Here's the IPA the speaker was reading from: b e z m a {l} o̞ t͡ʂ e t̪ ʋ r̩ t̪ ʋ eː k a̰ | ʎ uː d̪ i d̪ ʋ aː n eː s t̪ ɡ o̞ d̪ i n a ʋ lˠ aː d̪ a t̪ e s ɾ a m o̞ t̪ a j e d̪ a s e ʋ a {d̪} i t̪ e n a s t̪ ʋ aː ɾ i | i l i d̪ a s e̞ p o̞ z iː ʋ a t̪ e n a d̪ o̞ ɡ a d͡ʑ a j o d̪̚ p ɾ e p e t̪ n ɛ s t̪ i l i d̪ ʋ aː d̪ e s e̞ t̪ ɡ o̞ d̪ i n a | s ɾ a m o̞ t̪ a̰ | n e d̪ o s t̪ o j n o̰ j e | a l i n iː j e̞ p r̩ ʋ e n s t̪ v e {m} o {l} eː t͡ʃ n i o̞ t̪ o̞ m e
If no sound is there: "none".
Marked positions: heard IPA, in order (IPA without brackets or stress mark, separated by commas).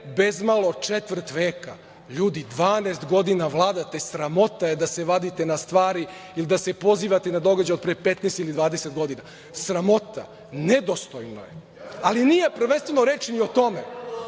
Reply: l, d̪, n, ɾ